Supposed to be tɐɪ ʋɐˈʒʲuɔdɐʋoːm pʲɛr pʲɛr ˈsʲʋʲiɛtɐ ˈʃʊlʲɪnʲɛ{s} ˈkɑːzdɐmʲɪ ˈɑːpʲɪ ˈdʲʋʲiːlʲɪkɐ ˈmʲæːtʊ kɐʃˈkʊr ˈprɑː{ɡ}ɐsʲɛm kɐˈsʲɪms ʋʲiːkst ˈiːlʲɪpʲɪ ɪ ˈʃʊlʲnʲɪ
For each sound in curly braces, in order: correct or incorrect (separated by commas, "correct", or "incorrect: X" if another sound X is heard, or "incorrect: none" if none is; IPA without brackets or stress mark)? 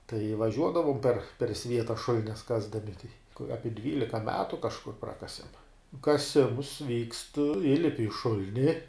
correct, incorrect: k